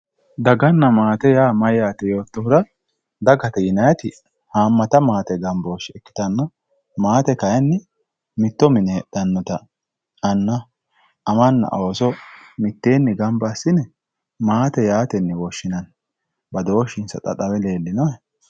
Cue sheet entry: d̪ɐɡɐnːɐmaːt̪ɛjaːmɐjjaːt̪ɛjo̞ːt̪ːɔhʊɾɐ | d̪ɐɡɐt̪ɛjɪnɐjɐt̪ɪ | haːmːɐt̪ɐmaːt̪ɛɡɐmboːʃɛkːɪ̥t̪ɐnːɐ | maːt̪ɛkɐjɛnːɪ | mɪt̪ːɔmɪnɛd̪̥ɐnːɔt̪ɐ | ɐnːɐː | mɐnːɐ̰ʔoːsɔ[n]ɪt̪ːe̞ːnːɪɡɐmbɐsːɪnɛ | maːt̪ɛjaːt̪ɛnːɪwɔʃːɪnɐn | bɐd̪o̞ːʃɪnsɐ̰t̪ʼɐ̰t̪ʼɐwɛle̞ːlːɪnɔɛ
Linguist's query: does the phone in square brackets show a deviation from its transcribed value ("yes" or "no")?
yes